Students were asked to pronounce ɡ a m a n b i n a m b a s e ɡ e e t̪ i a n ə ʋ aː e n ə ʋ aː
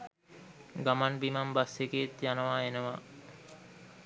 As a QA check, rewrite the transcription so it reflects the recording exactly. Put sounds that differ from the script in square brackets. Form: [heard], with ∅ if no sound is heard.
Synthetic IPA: ɡ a m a n b i [m] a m b a s e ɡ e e t̪ [j] a n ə ʋ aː e n ə ʋ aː